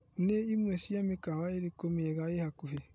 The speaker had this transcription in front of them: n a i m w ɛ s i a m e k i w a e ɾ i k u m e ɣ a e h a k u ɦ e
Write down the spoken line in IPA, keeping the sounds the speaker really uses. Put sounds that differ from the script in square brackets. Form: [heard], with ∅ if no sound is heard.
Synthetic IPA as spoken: n [e] i m w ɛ s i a m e k [a] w a e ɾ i k [o] m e ɣ a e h a k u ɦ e